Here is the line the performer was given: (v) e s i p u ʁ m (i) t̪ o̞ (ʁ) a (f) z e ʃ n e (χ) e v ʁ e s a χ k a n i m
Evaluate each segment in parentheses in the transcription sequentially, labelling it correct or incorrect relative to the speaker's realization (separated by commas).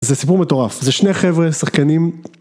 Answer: incorrect, incorrect, correct, correct, correct